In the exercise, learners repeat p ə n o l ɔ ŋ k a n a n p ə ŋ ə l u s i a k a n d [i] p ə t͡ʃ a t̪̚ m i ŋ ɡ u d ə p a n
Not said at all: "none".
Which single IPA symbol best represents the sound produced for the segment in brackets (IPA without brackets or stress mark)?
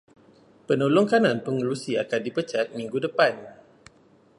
i